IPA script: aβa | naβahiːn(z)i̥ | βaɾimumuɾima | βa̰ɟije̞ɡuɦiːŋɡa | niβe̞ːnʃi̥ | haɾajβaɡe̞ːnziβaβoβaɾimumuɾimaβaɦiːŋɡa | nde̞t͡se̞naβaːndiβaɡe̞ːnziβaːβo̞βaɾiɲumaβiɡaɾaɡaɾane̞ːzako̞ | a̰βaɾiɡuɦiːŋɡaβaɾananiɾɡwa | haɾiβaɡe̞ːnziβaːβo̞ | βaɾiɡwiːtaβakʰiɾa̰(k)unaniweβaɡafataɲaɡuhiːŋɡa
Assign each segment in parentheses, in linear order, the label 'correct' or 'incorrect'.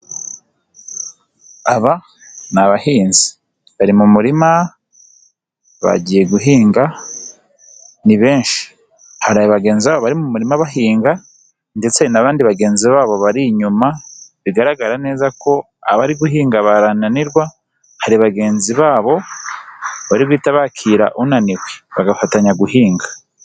correct, incorrect: ʔ

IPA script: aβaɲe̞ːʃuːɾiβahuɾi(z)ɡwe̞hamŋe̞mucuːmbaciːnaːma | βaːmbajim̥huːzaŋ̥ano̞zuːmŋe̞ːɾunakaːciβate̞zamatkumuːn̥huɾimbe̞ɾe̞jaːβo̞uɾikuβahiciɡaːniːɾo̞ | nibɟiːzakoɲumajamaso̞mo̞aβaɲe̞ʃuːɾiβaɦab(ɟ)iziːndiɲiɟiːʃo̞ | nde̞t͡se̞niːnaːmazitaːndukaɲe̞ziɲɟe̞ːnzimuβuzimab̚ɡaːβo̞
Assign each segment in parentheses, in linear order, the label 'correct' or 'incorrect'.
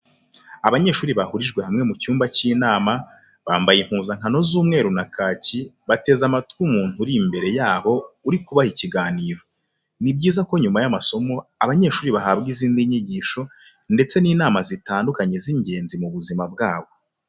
incorrect: ʒ, incorrect: ɡ

